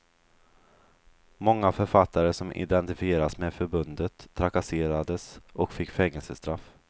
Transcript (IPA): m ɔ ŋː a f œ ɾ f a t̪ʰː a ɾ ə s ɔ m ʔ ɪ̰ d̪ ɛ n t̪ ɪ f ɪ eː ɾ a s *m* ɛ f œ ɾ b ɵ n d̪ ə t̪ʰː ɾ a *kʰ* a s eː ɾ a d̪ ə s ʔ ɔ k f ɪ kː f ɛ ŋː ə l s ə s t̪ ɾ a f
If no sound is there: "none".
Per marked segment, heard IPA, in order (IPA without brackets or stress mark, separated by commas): m, k